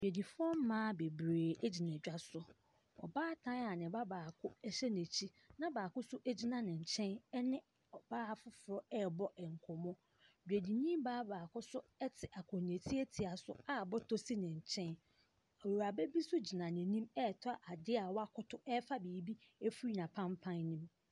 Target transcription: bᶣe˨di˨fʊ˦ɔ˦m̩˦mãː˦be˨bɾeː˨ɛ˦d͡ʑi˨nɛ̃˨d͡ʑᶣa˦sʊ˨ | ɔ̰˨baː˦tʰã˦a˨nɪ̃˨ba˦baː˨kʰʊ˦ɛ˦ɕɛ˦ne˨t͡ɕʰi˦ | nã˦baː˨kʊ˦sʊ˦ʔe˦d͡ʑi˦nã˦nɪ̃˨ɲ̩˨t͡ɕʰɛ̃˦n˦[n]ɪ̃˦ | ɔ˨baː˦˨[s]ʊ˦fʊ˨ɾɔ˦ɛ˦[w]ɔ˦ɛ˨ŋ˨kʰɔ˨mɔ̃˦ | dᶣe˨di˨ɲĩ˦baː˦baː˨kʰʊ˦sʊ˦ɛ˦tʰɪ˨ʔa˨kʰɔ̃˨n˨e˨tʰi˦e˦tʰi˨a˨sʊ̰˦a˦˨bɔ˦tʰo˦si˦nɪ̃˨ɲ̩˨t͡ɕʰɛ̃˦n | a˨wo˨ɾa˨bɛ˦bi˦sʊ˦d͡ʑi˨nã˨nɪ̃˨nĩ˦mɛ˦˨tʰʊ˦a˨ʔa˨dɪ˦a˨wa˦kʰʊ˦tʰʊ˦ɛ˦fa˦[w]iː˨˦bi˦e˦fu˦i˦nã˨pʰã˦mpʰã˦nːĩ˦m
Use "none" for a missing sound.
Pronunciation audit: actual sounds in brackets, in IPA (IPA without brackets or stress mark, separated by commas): n, f, b, b